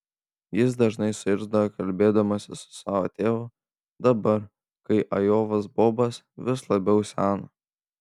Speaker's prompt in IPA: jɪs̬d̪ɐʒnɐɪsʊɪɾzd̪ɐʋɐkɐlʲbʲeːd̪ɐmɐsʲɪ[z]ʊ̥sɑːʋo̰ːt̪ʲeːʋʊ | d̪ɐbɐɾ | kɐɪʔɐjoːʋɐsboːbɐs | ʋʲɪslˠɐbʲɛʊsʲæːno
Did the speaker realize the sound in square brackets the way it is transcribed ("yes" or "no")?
no